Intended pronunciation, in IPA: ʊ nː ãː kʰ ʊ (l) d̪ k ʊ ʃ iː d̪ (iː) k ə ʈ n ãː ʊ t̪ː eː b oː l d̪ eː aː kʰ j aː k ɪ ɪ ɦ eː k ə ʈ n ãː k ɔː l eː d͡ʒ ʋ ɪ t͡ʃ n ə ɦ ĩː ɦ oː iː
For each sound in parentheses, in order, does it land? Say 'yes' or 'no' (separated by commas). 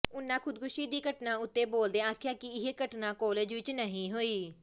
no, yes